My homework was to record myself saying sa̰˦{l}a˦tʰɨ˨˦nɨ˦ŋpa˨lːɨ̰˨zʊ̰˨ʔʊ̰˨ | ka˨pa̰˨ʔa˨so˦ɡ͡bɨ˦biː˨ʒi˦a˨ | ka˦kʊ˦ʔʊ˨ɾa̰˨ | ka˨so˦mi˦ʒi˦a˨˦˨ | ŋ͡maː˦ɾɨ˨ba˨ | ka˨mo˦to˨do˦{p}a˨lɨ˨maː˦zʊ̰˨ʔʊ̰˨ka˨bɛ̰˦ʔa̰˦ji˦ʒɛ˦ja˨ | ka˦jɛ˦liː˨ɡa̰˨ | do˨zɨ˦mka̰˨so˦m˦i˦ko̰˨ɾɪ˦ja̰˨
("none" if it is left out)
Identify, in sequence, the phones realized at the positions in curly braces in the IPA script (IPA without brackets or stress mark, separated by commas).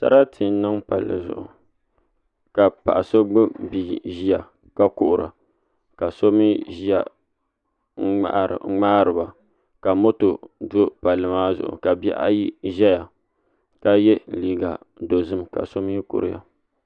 ɾ, p